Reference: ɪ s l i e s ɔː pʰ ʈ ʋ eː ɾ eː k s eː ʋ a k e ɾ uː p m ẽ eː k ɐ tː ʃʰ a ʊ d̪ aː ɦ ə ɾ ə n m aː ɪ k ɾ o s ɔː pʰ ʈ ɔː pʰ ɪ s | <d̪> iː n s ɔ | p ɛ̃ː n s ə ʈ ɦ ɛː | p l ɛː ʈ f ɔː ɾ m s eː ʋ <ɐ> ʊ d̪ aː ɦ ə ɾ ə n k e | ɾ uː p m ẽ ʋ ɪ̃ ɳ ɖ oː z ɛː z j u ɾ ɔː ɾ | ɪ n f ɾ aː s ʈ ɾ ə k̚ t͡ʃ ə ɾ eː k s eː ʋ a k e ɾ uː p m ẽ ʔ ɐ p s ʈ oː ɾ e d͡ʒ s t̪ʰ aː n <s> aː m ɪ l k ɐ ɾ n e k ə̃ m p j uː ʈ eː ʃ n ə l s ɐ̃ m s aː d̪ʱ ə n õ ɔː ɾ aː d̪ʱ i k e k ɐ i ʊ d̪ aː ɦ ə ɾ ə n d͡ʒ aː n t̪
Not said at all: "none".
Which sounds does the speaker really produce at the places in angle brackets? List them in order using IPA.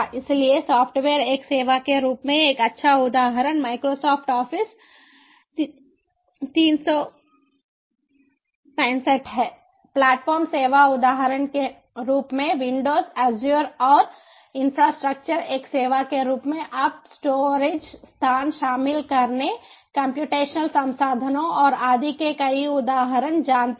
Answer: t̪, a, ʃ

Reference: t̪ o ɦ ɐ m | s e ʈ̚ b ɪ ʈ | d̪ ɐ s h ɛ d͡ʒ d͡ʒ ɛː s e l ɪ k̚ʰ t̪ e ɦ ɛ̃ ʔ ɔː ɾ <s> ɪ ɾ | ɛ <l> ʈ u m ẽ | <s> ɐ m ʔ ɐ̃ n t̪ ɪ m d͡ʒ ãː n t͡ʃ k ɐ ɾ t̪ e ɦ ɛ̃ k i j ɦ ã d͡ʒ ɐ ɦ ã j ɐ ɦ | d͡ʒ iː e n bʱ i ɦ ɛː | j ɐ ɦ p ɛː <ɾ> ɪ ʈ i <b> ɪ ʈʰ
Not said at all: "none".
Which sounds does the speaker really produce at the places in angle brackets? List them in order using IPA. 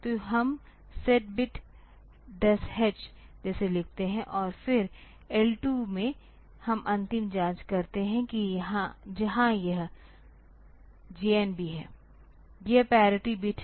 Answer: f, l, h, ɾ, b

